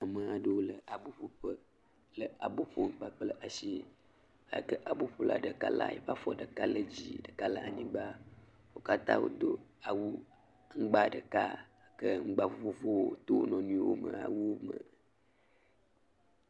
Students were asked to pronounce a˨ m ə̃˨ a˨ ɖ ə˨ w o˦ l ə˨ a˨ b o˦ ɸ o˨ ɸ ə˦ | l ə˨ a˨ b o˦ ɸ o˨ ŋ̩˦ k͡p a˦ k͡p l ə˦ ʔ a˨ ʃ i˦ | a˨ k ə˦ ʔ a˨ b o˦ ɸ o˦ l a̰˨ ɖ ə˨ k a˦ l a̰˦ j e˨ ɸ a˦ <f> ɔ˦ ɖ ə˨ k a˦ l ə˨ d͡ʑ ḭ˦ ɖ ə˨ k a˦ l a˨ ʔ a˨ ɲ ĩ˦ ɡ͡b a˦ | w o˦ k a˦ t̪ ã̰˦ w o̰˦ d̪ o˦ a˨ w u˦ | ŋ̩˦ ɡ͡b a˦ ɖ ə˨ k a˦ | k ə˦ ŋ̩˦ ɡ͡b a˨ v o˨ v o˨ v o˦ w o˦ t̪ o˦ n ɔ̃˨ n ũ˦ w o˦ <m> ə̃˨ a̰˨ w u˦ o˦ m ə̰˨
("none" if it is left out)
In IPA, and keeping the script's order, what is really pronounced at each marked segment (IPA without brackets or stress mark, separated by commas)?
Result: f, m